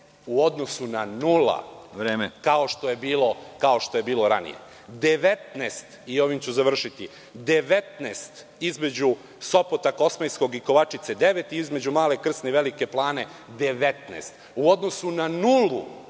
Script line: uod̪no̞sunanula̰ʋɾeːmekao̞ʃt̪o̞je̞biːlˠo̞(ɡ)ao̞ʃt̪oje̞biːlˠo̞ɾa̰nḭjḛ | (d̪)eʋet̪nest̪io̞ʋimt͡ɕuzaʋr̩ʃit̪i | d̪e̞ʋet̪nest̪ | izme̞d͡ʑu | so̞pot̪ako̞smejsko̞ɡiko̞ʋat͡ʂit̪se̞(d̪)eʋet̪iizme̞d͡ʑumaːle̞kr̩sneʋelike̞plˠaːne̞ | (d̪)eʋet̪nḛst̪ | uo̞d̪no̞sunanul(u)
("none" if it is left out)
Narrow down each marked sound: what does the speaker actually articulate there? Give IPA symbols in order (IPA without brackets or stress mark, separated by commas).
k, d̪, d̪, d̪, u